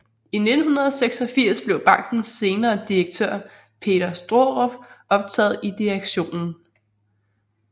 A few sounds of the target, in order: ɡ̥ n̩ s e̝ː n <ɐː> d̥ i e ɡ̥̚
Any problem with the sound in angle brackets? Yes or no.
no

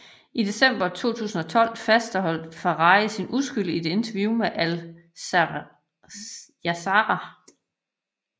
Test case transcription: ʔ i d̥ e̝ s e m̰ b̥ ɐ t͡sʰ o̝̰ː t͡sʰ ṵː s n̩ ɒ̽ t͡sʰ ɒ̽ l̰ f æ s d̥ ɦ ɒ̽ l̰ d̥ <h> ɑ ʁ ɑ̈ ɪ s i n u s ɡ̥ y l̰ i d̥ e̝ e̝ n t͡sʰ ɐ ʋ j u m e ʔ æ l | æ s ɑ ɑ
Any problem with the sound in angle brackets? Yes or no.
yes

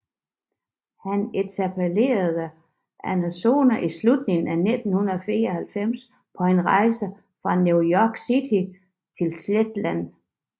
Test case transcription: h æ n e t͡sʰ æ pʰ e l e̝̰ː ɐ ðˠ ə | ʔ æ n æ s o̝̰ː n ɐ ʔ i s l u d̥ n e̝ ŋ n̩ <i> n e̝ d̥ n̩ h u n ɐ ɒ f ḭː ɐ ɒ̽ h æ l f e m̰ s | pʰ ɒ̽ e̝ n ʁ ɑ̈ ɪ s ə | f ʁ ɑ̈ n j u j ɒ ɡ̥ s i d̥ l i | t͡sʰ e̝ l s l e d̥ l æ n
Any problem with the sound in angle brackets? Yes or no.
yes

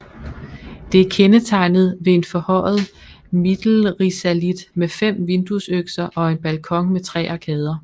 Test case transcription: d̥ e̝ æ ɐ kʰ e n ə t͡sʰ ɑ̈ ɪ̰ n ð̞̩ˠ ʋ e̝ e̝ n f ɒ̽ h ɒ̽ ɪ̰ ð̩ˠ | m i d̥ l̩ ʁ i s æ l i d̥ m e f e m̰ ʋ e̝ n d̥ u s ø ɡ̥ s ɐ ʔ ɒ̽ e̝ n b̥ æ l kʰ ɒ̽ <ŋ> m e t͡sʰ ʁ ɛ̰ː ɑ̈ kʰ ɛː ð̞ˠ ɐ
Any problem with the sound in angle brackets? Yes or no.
no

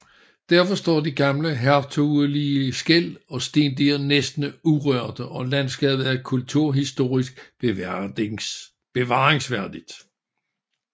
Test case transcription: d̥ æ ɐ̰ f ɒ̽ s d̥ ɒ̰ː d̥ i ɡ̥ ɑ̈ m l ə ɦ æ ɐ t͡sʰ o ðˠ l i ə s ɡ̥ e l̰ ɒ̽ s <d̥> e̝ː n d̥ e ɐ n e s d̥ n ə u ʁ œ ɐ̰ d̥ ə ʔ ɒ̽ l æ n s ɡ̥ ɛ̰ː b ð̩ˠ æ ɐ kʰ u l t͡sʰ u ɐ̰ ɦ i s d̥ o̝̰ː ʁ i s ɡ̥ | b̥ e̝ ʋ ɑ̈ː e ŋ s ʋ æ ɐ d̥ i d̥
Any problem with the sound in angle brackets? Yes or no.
no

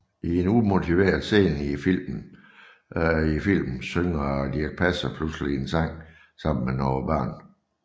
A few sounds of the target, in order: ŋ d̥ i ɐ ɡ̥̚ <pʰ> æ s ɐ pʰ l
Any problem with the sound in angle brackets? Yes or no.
no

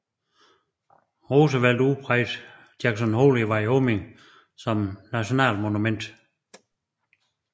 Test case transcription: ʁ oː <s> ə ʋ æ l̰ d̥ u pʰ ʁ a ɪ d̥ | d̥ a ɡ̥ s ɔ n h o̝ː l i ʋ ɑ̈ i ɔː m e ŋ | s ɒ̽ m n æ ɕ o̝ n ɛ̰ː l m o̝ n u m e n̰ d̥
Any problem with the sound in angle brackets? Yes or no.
no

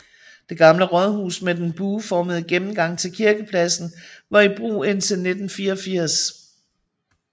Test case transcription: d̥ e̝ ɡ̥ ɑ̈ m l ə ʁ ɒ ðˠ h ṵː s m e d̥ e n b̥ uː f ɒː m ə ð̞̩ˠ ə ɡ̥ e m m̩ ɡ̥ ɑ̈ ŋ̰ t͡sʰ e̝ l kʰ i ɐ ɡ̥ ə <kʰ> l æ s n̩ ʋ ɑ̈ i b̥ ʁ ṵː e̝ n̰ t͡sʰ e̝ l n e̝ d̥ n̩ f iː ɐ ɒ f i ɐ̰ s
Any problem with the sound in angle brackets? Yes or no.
yes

